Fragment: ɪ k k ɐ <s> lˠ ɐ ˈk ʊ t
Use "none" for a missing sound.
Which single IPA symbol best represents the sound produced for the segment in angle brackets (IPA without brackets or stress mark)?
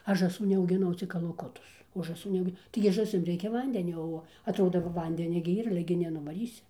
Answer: none